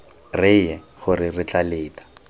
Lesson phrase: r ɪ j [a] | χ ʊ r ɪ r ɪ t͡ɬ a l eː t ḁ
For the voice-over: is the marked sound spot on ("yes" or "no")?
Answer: no